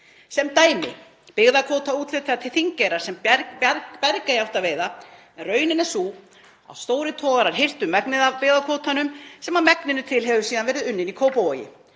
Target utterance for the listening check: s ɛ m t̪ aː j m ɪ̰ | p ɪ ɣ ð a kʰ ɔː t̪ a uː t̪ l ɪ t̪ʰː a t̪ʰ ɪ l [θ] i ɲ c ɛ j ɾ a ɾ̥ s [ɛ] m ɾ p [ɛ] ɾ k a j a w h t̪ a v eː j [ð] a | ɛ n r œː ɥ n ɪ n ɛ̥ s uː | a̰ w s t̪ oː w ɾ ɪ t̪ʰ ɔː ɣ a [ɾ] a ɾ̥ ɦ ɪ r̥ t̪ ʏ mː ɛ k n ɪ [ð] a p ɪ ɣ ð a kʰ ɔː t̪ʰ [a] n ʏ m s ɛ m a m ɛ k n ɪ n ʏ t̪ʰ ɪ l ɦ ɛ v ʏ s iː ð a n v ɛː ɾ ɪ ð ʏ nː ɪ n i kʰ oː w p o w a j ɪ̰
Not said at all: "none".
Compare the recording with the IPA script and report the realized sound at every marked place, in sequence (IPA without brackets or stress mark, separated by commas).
θ, ɛ, ɛ, ð, ɾ, ð, a